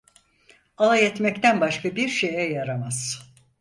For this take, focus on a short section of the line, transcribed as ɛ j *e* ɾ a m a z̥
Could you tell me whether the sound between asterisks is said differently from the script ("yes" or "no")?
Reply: yes